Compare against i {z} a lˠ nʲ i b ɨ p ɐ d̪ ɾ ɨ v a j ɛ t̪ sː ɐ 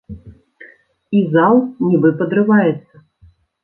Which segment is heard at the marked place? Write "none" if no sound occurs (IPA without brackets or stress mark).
z